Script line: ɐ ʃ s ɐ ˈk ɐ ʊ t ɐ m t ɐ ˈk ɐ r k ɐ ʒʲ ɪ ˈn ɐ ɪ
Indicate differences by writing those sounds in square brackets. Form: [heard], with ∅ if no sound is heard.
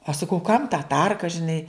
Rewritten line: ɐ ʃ s ɐ ˈk ɐ ʊ [k] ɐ m t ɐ [ˈt] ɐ r k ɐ ʒʲ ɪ ˈn ɐ ɪ

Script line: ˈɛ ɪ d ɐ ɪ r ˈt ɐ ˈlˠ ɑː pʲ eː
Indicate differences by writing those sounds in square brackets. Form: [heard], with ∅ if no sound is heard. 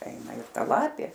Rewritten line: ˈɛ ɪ [n] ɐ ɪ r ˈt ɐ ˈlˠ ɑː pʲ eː

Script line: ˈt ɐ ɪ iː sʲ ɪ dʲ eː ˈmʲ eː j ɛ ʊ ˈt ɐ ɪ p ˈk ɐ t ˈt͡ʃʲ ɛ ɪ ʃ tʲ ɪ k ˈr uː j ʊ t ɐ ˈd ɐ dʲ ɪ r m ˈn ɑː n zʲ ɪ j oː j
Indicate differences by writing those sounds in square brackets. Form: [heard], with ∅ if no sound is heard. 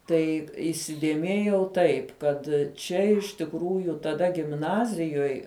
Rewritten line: ˈt ɐ ɪ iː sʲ ɪ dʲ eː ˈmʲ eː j ɛ ʊ ˈt ɐ ɪ p ˈk ɐ t ˈt͡ʃʲ ɛ ɪ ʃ tʲ ɪ k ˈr uː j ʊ t ɐ ˈd ɐ [ɡʲ] ɪ [∅] m ˈn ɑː [∅] zʲ ɪ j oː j

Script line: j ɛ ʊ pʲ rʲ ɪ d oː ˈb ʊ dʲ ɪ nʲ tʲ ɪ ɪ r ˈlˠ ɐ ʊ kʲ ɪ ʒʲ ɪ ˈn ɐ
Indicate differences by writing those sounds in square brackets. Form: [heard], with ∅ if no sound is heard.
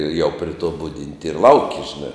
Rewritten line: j ɛ ʊ pʲ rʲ ɪ [t] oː ˈb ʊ dʲ ɪ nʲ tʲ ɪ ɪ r ˈlˠ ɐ ʊ kʲ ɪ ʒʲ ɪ ˈn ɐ

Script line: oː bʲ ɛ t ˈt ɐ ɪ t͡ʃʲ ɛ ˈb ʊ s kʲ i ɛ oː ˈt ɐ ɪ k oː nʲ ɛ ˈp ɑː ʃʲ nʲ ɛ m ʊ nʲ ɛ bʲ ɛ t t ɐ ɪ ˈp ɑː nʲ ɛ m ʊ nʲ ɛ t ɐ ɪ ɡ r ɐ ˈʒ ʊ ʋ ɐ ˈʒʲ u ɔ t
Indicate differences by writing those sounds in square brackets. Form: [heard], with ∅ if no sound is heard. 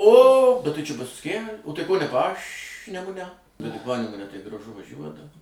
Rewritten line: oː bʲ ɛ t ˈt ɐ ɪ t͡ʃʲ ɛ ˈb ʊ s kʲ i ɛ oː ˈt ɐ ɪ k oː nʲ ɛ ˈp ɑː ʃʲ nʲ ɛ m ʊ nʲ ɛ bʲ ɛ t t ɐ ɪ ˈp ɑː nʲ ɛ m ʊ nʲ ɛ t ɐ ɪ ɡ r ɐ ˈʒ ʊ ʋ ɐ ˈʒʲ u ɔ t

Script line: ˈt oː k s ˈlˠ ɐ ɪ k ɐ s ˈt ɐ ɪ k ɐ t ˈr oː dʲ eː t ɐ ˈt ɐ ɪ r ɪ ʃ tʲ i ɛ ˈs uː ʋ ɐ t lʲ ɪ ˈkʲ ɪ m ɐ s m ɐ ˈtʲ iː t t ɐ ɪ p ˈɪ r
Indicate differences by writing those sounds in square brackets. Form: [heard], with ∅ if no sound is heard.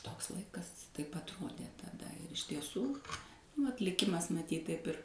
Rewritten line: ˈt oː k s ˈlˠ ɐ ɪ k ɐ s ˈt ɐ ɪ [p] ɐ t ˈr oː dʲ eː t ɐ [ˈd] ɐ ɪ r ɪ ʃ tʲ i ɛ ˈs uː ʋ ɐ t lʲ ɪ ˈkʲ ɪ m ɐ s m ɐ ˈtʲ iː t t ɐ ɪ p ˈɪ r

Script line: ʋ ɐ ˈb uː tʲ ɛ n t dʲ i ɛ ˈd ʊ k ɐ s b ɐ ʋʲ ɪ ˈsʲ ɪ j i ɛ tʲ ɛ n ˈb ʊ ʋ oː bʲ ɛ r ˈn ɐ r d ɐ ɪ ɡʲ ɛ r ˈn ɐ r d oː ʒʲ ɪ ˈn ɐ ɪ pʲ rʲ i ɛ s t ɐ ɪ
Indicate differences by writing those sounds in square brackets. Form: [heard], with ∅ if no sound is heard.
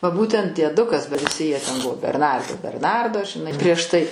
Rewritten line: ʋ ɐ ˈb uː tʲ ɛ n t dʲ i ɛ ˈd ʊ k ɐ s b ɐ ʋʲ ɪ ˈsʲ ɪ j i ɛ tʲ ɛ n ˈb ʊ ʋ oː bʲ ɛ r ˈn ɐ r d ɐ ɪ [bʲ] ɛ r ˈn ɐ r d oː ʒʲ ɪ ˈn ɐ ɪ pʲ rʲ i ɛ [ʃ] t ɐ ɪ

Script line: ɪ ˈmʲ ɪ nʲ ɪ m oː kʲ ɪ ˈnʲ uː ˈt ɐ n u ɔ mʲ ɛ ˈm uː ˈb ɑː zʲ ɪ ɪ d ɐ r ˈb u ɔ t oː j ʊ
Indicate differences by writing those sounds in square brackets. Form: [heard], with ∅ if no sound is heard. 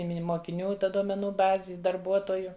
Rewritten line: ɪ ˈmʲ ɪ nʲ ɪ m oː kʲ ɪ ˈnʲ uː ˈt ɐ [d] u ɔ mʲ ɛ [ˈn] uː ˈb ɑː zʲ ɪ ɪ d ɐ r ˈb u ɔ t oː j ʊ

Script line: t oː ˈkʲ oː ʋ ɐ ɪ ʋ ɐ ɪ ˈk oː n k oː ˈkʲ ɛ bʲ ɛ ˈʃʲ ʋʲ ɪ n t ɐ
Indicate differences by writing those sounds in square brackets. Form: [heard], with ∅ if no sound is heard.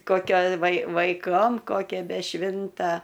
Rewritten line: [k] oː ˈkʲ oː ʋ ɐ ɪ ʋ ɐ ɪ ˈk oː [m] k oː ˈkʲ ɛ bʲ ɛ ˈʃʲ ʋʲ ɪ n t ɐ

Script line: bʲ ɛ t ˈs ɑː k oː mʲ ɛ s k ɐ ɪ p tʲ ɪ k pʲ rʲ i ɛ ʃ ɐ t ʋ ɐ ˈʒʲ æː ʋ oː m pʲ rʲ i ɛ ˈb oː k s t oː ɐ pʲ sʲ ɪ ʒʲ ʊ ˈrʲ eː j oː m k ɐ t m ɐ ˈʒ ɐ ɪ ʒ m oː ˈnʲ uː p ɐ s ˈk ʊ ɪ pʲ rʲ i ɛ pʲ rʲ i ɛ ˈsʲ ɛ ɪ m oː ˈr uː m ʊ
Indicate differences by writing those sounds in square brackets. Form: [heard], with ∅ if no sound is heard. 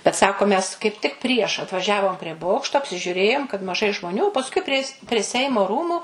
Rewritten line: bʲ ɛ t ˈs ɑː k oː mʲ ɛ s k ɐ ɪ p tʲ ɪ k pʲ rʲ i ɛ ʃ ɐ t ʋ ɐ ˈʒʲ æː ʋ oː m pʲ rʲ i ɛ ˈb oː k [ʃ] t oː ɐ pʲ sʲ ɪ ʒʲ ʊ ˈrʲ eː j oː m k ɐ t m ɐ ˈʒ ɐ ɪ ʒ m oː ˈnʲ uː p ɐ s ˈk ʊ ɪ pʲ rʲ i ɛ pʲ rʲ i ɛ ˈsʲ ɛ ɪ m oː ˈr uː m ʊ

